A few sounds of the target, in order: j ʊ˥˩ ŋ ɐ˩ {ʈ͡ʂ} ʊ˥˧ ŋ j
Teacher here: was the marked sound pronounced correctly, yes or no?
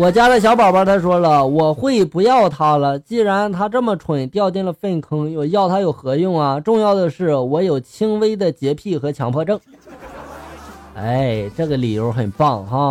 yes